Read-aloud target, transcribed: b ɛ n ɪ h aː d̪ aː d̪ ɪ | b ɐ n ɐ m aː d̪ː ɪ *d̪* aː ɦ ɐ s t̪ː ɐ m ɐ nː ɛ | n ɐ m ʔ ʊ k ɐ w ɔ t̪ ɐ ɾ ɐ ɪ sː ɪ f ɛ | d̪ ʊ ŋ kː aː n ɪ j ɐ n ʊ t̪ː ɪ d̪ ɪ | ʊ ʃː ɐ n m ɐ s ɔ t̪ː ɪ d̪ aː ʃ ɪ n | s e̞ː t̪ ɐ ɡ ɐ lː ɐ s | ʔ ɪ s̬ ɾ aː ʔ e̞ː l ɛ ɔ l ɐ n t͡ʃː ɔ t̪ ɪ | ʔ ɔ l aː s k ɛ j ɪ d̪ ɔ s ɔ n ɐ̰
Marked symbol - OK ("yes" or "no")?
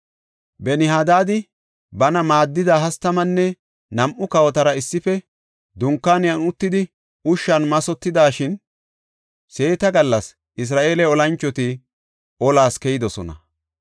yes